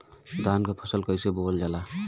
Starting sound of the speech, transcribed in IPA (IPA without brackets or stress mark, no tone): d̪